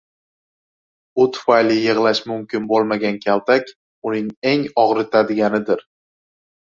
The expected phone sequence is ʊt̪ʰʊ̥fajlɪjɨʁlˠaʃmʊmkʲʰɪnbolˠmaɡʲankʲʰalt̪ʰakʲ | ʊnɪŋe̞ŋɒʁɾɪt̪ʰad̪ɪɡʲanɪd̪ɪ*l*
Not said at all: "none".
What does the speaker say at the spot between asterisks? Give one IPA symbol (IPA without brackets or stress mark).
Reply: ɾ